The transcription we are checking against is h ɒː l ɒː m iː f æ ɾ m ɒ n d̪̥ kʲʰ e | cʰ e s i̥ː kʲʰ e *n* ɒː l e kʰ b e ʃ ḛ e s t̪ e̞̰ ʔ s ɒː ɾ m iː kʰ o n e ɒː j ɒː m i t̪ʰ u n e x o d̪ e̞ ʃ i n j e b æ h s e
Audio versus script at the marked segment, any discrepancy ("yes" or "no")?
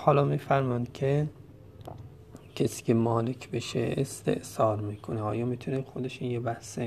yes